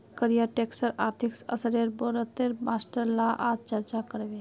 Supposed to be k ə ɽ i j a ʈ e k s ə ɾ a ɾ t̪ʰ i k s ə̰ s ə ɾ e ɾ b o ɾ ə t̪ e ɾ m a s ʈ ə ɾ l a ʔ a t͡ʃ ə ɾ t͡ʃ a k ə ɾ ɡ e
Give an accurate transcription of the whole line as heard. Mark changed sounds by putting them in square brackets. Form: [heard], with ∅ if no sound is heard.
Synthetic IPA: k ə [ɾ] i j a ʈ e k s ə ɾ a ɾ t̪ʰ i k s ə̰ s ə ɾ e ɾ b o ɾ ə t̪ e ɾ m a s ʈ ə ɾ l a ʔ a t͡ʃ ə ɾ t͡ʃ a k ə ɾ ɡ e